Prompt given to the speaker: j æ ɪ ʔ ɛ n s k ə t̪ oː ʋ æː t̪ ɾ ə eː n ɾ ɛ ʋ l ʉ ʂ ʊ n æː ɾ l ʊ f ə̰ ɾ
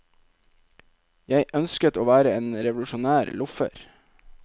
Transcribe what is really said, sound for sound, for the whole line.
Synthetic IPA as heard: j æ ɪ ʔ œ n s k ə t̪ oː ʋ æː ɾ ə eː n ɾ ɛ ʋ l ʉ ʃ ʊ n æː ɾ l ʊ f ə̰ ɾ